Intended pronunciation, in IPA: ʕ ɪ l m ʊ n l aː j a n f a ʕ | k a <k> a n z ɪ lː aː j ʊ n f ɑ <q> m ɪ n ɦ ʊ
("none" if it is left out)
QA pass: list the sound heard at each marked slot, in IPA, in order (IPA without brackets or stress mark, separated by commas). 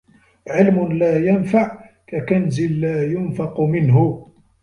k, q